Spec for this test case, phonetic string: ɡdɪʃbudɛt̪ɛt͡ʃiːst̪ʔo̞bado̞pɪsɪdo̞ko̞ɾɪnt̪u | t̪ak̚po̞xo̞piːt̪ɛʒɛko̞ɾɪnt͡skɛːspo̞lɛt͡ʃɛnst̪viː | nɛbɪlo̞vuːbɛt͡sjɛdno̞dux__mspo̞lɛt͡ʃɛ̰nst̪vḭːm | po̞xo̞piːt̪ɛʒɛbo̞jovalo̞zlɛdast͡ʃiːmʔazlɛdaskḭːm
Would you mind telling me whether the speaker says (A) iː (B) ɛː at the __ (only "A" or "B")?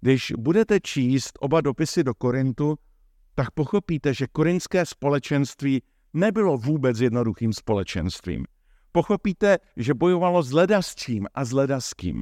A